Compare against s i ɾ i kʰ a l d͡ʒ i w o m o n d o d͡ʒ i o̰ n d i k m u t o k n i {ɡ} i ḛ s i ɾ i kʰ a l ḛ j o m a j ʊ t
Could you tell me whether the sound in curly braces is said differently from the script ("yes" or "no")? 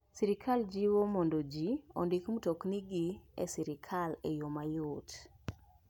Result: no